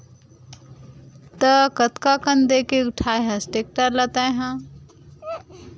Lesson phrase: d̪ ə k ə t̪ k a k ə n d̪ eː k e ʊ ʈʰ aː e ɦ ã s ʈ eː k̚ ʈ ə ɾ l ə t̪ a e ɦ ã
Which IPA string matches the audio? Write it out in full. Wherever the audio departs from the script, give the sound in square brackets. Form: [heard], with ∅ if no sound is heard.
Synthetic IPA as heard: [t̪] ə k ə t̪ k a k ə n d̪ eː k e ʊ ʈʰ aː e ɦ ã s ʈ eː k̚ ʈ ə ɾ l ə t̪ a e ɦ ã